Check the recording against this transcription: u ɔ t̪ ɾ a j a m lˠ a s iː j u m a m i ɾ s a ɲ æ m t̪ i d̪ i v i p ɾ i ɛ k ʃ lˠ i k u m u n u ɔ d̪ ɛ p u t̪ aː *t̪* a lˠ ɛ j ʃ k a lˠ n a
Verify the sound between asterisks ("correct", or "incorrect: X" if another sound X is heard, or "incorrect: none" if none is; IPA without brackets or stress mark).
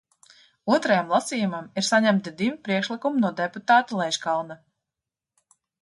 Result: correct